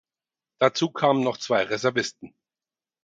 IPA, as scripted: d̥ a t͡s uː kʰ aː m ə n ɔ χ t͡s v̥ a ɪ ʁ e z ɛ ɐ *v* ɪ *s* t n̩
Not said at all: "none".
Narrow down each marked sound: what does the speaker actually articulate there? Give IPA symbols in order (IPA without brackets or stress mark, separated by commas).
v, s